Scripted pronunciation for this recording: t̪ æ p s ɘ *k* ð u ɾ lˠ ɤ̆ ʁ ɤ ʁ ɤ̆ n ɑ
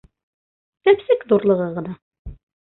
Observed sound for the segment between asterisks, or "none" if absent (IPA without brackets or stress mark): k